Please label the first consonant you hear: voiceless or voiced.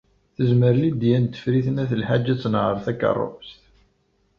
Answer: voiceless